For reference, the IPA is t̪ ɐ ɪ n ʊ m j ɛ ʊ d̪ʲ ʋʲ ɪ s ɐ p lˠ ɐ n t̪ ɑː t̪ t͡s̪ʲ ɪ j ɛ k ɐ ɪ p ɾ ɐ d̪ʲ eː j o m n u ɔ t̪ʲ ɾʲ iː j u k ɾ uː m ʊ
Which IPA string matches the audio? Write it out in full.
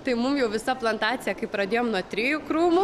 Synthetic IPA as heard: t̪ ɐ ɪ m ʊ m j ɛ ʊ ʋʲ ɪ s ɐ p lˠ ɐ n t̪ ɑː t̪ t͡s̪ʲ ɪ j ɛ k ɐ ɪ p ɾ ɐ d̪ʲ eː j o m n u ɔ t̪ʲ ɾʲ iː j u k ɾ uː m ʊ